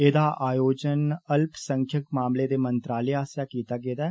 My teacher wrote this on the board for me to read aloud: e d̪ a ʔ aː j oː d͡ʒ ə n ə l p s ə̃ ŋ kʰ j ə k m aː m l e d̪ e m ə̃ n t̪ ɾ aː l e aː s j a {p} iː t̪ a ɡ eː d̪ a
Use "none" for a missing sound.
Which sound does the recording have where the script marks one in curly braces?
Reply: k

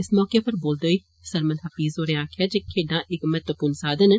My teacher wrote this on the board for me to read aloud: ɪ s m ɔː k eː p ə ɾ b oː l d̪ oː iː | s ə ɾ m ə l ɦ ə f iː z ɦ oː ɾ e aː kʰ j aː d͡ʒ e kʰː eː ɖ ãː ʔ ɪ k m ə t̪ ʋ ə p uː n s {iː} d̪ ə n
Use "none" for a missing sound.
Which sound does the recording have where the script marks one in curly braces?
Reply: aː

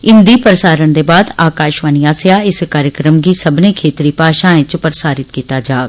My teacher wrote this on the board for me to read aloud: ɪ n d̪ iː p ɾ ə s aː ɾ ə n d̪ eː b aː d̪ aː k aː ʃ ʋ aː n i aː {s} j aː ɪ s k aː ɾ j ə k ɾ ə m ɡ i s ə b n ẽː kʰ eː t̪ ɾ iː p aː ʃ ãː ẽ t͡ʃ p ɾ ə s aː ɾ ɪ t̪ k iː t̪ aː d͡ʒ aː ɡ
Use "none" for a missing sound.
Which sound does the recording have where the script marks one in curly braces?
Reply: s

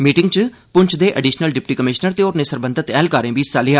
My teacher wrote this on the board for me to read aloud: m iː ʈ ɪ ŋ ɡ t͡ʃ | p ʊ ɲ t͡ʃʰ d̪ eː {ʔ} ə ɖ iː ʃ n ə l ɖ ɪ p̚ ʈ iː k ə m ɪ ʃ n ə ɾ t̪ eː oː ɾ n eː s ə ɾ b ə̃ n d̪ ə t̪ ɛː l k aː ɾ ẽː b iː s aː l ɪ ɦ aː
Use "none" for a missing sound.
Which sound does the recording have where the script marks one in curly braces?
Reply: ʔ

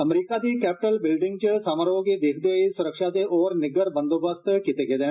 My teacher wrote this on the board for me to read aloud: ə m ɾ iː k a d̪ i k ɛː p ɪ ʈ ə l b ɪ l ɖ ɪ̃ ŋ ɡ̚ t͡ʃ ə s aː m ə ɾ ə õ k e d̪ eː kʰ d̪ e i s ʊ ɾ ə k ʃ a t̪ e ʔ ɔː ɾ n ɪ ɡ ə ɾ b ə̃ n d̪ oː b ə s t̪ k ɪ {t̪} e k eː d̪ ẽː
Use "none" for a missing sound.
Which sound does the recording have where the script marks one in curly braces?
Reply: t̪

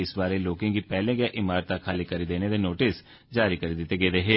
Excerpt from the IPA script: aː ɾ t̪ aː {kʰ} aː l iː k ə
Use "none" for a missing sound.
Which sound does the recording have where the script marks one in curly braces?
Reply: kʰ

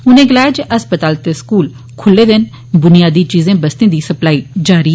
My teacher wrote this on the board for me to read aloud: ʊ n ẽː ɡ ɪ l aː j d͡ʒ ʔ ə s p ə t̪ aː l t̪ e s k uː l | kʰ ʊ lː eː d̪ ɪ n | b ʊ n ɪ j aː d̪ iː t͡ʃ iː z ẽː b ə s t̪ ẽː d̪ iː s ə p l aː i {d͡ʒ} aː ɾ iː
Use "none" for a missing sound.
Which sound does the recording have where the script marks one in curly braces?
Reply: d͡ʒ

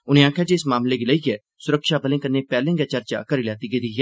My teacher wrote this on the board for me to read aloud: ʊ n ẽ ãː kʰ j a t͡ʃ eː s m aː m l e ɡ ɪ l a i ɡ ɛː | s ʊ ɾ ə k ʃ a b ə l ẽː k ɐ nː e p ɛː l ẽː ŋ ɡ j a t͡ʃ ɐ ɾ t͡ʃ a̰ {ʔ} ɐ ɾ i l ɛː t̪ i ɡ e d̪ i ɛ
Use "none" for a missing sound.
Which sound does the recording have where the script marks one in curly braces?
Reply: k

